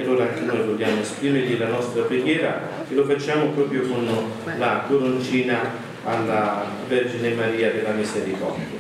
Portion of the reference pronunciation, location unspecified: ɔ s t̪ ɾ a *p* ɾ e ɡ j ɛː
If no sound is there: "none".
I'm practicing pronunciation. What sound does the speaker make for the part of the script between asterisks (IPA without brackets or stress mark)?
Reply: p